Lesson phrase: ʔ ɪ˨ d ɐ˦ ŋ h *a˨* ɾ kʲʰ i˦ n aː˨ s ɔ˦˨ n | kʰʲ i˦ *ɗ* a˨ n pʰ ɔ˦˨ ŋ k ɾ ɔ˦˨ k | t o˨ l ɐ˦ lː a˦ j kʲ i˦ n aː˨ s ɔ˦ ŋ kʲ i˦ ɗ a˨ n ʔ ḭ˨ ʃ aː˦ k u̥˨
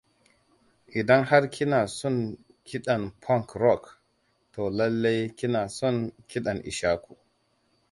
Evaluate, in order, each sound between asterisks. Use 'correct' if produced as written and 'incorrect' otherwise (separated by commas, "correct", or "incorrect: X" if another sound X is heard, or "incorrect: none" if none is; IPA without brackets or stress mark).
incorrect: a˦, correct